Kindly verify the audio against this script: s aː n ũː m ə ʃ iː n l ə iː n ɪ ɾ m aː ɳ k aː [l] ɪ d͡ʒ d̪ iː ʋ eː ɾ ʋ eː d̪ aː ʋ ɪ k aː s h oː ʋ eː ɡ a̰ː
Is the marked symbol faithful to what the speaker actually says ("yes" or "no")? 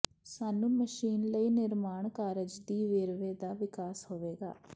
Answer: no